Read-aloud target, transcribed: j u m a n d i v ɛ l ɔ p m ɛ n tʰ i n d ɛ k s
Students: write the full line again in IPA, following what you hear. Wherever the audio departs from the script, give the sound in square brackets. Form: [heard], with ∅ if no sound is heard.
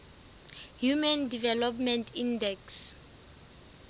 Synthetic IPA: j u m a n d i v ɛ l ɔ p m ɛ n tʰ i n d ɛ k s